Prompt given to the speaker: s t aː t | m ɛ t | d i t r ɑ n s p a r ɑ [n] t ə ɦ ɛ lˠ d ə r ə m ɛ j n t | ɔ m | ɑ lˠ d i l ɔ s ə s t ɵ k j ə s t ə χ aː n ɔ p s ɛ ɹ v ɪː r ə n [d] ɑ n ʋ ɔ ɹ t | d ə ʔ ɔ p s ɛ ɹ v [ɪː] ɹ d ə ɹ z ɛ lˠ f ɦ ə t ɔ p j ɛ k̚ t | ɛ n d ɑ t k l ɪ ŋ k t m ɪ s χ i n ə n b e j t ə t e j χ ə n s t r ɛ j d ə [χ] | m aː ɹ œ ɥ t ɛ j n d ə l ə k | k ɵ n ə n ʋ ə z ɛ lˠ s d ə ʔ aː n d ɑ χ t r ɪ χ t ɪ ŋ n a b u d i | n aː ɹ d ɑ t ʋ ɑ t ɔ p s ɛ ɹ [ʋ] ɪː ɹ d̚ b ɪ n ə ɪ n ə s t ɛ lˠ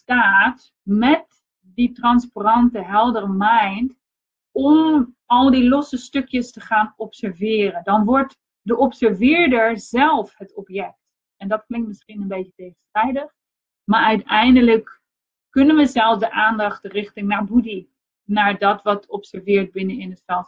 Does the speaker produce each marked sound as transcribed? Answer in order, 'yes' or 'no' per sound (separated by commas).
yes, yes, yes, yes, no